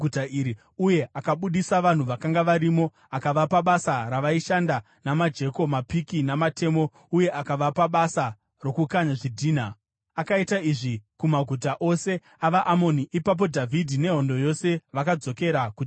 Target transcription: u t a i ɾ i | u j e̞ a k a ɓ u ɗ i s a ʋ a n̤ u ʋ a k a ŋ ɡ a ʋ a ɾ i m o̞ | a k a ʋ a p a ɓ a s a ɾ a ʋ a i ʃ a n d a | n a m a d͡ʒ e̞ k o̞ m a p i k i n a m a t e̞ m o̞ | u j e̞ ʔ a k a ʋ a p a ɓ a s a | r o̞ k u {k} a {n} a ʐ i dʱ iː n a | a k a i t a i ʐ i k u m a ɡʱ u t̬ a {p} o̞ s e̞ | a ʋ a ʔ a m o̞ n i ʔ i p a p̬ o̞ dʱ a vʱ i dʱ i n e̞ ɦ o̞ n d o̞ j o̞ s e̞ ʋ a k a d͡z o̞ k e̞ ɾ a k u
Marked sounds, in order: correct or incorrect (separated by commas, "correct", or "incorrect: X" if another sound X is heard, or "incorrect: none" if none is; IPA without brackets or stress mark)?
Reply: correct, incorrect: ɲ, incorrect: ʔ